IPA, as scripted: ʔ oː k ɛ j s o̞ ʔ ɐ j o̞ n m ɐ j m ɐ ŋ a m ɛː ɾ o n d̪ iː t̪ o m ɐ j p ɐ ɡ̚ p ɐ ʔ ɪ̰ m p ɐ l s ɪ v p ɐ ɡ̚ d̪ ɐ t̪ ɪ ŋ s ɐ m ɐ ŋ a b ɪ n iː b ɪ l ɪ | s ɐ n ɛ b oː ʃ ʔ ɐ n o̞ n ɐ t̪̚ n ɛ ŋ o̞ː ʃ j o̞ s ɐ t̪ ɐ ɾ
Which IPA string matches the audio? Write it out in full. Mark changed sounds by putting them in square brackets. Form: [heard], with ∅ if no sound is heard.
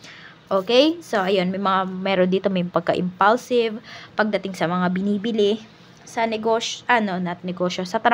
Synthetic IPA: ʔ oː k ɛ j s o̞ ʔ ɐ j o̞ n m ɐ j m ɐ ŋ a m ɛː ɾ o n d̪ iː t̪ o m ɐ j p ɐ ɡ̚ [k] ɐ ʔ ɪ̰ m p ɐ l s ɪ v p ɐ ɡ̚ d̪ ɐ t̪ ɪ ŋ s ɐ m ɐ ŋ a b ɪ n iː b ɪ l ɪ | s ɐ n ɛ [ɡ] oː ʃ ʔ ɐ n o̞ n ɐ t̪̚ n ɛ [ɡ] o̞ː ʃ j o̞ s ɐ t̪ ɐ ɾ